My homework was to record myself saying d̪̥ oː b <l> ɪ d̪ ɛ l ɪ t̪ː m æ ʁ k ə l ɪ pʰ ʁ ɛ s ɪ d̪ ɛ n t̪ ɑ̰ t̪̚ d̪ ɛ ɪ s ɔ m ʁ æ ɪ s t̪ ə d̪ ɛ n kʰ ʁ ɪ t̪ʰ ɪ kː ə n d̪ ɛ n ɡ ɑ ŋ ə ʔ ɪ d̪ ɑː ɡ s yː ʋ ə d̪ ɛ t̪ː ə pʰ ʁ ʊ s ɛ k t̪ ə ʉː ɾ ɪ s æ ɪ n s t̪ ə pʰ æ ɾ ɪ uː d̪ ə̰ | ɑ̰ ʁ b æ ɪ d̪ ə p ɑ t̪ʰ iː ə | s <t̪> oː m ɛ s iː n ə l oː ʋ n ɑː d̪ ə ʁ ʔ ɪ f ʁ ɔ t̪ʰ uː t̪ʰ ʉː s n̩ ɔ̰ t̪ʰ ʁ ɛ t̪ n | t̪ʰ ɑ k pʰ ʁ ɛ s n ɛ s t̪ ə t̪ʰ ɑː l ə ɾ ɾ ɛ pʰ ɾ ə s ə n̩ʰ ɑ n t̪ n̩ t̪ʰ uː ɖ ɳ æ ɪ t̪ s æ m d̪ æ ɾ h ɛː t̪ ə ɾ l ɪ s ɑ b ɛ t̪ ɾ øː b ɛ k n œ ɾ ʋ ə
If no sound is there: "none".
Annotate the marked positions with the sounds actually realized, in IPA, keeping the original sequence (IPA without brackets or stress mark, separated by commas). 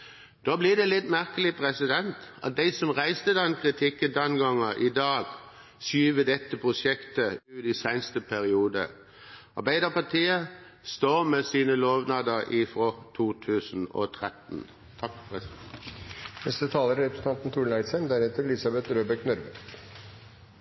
l, t̪